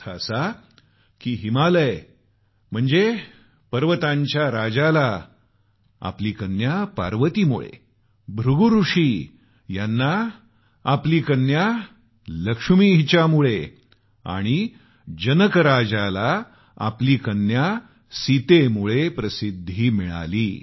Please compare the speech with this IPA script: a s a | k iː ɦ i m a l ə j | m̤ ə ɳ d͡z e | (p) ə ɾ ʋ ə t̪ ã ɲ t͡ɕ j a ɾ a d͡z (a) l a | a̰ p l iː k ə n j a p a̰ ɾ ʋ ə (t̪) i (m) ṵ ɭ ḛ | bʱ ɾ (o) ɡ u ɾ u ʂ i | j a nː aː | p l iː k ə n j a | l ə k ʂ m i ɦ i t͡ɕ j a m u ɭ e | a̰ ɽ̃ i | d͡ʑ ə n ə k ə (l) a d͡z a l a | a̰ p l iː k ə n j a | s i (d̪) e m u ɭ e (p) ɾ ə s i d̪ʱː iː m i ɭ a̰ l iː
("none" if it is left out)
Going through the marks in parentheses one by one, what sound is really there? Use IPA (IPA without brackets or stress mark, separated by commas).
p, a, t̪, m, u, ɾ, t̪, p